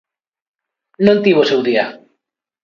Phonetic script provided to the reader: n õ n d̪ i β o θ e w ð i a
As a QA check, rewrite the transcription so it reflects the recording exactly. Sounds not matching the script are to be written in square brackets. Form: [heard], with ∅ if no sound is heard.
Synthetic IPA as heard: n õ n [t̪] i β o [s] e w ð i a